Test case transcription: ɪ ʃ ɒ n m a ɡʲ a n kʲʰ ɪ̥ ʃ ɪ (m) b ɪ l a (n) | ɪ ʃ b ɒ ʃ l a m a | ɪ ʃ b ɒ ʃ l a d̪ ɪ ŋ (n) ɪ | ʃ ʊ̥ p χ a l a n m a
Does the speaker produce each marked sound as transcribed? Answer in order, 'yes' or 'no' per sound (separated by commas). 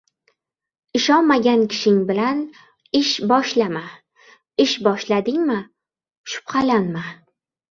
no, yes, no